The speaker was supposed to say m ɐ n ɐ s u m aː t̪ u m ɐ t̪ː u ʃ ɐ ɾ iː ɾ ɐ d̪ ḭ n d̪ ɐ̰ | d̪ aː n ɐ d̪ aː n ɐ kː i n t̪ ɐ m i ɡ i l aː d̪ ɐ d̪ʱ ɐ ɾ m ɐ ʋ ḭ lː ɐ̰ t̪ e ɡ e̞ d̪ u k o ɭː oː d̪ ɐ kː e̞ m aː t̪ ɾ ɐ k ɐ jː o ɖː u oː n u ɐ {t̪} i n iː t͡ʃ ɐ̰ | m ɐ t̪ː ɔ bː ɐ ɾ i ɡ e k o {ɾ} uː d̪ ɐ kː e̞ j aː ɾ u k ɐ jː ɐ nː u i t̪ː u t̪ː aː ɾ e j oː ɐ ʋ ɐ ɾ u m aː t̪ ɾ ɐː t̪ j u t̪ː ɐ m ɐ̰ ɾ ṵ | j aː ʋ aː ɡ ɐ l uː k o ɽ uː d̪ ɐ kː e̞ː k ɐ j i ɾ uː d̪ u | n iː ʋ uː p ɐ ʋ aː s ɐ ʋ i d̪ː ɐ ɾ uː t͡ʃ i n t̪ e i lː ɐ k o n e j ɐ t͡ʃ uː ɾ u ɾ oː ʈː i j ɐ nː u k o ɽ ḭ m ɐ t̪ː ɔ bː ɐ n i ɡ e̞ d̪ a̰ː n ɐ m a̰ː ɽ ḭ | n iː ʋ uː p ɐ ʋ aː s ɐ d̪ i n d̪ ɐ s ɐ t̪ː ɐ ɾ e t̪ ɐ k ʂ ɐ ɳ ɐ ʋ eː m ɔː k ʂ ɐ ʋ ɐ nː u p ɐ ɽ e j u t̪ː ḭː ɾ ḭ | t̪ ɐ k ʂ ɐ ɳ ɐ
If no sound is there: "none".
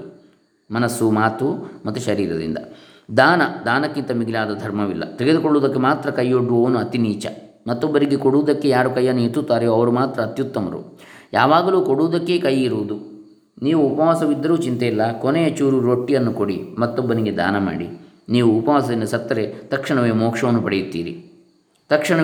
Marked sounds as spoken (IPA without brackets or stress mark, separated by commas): t̪, ɽ